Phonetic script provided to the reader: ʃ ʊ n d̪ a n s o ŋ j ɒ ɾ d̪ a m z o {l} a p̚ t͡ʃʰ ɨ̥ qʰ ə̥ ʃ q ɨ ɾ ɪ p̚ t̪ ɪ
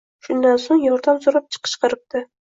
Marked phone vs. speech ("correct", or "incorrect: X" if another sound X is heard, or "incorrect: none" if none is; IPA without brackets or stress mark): incorrect: ɾ